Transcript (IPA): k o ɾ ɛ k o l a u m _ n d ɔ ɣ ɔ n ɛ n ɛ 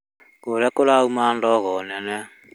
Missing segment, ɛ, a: a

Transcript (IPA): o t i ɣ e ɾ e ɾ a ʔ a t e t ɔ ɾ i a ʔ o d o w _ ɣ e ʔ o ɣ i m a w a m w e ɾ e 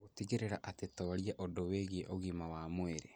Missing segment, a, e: e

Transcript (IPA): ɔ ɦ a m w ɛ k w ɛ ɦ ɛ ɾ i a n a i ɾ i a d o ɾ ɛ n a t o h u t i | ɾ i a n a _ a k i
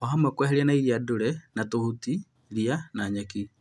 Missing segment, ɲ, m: ɲ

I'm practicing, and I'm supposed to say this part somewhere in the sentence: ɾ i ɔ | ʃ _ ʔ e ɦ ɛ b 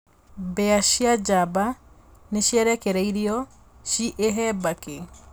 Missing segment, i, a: i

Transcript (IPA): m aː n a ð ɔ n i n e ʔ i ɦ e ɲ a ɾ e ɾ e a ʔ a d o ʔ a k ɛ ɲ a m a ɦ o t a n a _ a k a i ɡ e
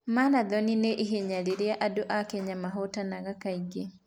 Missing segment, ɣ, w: ɣ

